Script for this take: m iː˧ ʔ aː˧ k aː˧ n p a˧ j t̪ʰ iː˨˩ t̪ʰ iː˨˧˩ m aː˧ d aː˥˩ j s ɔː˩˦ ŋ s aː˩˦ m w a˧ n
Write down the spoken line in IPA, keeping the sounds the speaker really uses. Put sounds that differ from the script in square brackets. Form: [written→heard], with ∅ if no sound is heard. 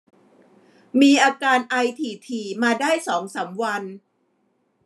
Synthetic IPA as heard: m iː˧ ʔ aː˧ k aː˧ n [p→ʔ] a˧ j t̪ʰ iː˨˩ t̪ʰ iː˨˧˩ m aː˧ d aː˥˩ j s ɔː˩˦ ŋ s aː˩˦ m w a˧ n